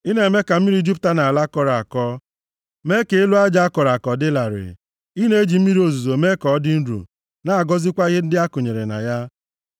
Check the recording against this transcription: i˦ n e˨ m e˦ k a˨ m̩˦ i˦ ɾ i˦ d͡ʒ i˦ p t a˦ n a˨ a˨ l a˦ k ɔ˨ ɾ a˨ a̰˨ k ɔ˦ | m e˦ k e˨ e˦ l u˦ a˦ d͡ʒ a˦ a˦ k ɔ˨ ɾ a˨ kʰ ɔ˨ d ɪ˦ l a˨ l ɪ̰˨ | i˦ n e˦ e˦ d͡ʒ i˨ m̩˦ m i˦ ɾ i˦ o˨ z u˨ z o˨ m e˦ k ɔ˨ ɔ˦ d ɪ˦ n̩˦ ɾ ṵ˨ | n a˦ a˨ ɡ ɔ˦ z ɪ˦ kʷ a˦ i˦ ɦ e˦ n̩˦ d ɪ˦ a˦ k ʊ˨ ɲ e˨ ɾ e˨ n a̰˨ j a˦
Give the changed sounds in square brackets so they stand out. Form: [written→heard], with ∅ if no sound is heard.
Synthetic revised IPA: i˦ n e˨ m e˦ k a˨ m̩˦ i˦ ɾ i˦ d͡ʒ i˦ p t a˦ n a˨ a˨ l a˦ k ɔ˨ ɾ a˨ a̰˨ k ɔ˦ | m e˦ k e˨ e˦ l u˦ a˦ d͡ʒ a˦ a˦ k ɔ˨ ɾ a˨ [kʰ→k] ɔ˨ d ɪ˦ l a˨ [l→ɾ] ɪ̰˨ | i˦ n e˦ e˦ d͡ʒ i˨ m̩˦ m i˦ ɾ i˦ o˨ z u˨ z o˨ m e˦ k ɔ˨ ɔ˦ d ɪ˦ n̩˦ ɾ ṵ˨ | n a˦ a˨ ɡ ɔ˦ z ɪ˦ kʷ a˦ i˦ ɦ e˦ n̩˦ d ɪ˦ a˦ k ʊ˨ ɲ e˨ ɾ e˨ n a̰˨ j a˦